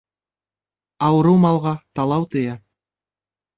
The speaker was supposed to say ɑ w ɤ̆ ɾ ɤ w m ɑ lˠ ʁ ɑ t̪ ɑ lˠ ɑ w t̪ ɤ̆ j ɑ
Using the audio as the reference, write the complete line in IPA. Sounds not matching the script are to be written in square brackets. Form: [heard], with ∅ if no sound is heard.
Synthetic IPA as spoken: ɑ w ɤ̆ ɾ ɤ w m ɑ lˠ ʁ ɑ t̪ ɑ lˠ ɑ w t̪ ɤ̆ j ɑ